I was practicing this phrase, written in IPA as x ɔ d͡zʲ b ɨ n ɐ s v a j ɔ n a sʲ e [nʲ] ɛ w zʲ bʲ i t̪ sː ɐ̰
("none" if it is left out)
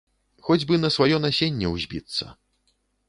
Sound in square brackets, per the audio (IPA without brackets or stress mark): nʲː